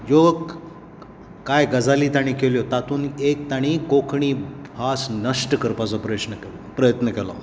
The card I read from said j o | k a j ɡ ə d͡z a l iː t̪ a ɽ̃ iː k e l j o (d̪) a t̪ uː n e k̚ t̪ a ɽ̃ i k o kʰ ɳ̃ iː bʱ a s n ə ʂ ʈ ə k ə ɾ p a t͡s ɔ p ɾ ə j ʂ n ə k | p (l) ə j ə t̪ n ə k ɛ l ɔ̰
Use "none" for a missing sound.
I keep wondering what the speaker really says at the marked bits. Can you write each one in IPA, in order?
t̪, ɾ

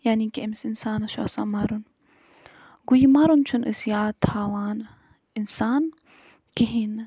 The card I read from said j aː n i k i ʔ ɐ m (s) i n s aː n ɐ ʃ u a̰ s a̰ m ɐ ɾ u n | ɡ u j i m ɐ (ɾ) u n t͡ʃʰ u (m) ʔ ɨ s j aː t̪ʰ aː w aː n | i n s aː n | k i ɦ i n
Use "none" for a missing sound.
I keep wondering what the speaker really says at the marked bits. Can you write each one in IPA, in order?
s, ɾ, n

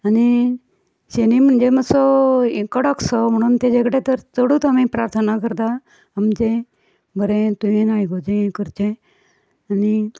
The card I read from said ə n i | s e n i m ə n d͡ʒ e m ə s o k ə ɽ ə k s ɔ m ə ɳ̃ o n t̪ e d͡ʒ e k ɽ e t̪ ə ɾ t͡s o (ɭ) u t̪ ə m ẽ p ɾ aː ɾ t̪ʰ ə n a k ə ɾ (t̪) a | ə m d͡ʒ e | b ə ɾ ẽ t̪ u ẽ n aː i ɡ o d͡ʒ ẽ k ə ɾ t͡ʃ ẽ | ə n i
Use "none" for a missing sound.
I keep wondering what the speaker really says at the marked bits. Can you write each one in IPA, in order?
ɽ, d̪

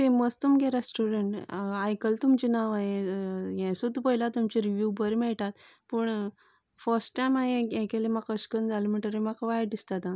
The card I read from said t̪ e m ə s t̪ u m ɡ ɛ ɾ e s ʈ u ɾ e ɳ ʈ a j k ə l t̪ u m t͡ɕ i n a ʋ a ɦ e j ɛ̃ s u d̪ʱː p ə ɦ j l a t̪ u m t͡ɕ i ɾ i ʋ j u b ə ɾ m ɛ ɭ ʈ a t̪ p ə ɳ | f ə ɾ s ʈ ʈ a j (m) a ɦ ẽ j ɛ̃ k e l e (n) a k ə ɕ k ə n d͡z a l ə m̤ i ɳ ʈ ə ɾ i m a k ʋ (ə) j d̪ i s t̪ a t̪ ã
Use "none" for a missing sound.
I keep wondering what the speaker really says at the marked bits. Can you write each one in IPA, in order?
m, m, a

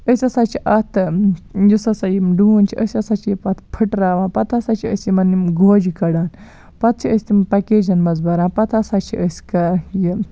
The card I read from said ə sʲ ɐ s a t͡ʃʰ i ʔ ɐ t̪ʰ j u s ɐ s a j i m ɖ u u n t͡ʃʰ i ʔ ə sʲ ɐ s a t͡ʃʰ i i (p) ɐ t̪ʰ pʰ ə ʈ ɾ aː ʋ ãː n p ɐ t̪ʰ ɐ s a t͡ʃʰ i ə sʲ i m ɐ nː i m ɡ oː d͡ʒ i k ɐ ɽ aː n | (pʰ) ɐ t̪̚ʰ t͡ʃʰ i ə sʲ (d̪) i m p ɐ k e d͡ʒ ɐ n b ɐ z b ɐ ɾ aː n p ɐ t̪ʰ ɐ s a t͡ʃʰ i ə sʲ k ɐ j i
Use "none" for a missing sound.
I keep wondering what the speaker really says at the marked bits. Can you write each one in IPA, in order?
p, p, t̪

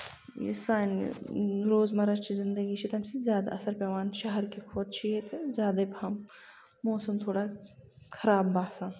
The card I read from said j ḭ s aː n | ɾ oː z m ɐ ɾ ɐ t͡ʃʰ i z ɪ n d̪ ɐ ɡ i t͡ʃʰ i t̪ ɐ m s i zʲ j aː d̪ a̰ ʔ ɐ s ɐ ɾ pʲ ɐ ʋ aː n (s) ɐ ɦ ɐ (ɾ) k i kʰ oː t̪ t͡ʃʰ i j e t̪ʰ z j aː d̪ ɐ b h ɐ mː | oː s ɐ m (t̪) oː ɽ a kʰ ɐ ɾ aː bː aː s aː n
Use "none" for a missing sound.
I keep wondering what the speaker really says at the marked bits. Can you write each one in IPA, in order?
ʃ, ɾ, t̪ʰ

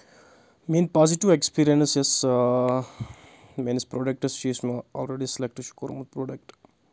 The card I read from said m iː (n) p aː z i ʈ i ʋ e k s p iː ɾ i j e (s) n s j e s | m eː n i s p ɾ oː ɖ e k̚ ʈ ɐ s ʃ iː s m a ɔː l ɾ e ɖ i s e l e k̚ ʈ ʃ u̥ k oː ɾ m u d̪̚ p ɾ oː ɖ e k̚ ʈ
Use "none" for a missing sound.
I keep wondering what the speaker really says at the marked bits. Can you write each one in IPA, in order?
n, none

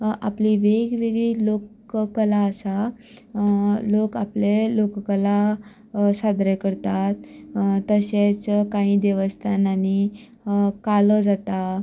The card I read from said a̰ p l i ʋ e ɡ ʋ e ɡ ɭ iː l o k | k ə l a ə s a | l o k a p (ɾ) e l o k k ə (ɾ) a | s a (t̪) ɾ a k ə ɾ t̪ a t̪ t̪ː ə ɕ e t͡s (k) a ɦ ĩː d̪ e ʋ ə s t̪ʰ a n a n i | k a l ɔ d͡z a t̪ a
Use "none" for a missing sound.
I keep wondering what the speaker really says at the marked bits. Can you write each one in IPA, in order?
l, l, d̪, k

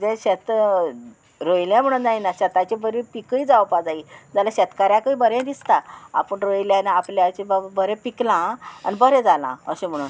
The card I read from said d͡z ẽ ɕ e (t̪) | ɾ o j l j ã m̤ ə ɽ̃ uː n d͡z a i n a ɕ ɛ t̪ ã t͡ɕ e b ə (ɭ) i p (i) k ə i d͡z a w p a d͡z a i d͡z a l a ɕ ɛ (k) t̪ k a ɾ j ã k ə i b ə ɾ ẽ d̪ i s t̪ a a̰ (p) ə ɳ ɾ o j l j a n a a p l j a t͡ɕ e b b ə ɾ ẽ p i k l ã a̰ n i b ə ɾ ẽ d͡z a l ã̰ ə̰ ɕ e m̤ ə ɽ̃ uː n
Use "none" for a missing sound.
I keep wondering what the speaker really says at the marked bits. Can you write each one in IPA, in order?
t̪, ɾ, i, none, p

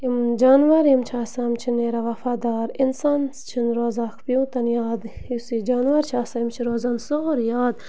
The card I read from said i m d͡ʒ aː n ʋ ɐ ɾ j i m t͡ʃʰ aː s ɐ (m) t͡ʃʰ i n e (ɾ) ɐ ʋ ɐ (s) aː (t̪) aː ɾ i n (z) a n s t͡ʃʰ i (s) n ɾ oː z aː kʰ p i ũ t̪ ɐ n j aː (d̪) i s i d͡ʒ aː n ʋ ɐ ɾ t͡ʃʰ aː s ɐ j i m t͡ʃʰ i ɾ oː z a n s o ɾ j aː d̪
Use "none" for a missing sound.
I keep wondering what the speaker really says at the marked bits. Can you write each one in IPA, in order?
m, ɾ, f, d̪, s, none, d̪

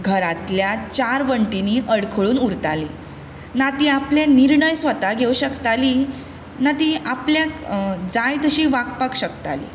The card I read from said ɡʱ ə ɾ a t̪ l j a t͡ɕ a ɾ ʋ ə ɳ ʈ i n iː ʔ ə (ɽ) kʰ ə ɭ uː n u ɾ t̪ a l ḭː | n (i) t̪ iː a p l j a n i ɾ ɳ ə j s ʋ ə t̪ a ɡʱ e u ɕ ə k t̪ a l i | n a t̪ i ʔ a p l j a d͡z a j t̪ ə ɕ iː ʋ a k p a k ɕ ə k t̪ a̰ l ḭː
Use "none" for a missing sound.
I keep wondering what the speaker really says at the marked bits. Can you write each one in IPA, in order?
ɽ, a

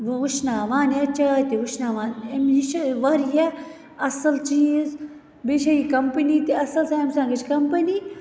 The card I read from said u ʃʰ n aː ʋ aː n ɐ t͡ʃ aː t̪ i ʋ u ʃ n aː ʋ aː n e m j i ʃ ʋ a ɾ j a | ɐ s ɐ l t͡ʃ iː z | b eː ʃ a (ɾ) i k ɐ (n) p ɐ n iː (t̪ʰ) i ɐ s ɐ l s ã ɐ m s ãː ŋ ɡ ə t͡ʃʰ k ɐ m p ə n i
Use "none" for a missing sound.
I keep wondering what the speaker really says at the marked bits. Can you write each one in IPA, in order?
none, m, t̪

